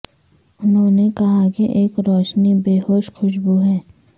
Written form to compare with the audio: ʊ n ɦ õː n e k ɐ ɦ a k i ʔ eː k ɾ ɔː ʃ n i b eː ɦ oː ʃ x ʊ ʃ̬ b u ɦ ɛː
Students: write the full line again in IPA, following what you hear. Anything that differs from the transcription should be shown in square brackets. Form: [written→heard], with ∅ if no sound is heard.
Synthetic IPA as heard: ʊ n ɦ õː n e k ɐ ɦ a k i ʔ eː k ɾ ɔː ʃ n i b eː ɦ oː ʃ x ʊ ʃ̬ b u ɦ ɛː